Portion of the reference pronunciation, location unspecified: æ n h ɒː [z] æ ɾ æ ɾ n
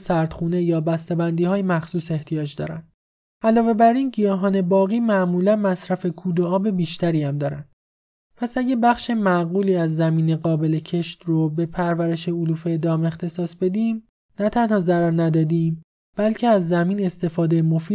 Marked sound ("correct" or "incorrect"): correct